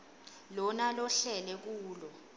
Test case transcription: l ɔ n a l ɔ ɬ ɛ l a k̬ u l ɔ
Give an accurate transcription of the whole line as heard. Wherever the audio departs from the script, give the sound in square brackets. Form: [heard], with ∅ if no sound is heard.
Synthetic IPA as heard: l ɔ n a l ɔ ɬ ɛ l [ɛ] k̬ [uː] l ɔ